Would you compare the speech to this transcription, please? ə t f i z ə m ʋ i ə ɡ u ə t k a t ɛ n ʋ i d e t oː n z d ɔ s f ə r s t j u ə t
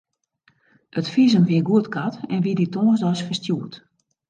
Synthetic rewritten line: ə t f i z ə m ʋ i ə ɡ u ə t k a t ɛ n ʋ i d i t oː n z d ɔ s f ə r s t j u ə t